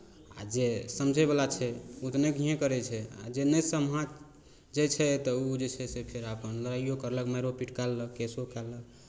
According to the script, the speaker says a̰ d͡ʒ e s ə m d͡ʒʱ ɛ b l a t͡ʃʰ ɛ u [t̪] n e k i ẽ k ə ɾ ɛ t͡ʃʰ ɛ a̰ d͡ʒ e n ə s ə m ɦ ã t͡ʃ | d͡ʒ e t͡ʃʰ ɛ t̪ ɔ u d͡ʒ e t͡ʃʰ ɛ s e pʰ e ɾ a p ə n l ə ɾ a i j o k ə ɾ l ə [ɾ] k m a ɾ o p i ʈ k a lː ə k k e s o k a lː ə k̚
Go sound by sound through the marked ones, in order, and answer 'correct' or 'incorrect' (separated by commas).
correct, incorrect